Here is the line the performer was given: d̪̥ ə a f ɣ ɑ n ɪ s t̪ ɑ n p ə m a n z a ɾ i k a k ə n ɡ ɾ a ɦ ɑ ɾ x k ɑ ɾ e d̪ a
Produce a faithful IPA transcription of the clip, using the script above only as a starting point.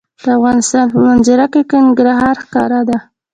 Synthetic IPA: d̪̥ ə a f ɣ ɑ n ɪ s t̪ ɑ n p ə m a n z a ɾ a k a k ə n ɡ ɾ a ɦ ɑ ɾ x k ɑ ɾ a d̪ a